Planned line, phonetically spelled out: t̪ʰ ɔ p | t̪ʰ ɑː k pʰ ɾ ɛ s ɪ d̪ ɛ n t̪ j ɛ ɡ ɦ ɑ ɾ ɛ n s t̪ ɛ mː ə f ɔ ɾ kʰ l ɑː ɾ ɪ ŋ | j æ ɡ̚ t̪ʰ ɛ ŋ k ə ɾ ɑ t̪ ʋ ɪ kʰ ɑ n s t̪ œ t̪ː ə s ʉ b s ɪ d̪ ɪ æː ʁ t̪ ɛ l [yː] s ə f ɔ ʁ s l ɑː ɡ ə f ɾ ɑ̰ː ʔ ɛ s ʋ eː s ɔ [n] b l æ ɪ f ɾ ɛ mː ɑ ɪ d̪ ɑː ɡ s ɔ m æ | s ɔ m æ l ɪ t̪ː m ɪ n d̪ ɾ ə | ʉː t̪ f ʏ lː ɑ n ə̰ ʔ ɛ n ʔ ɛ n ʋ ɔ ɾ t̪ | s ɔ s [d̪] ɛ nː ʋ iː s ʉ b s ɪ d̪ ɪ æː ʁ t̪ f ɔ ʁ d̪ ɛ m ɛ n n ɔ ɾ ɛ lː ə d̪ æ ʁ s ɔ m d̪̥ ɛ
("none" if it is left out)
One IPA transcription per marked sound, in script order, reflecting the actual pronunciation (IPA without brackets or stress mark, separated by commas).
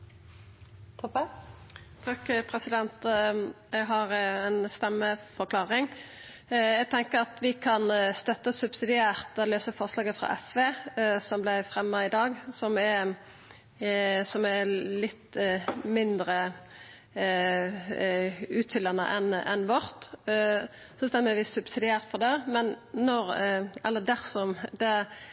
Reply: øː, m, t̪